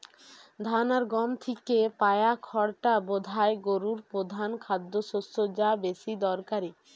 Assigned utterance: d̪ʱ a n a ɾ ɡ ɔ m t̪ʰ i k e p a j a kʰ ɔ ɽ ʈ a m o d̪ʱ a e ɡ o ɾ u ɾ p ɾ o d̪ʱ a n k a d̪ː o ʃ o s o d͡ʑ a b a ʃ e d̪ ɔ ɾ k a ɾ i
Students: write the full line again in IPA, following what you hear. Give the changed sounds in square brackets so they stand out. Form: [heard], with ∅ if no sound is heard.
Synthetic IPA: d̪ʱ a n a ɾ ɡ ɔ m t̪ʰ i k e p a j a kʰ ɔ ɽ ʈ a [b] o d̪ʱ a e ɡ o ɾ u ɾ p ɾ o d̪ʱ a n [kʰ] a d̪ː o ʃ o s o d͡ʑ a b [e] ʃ [i] d̪ ɔ ɾ k a ɾ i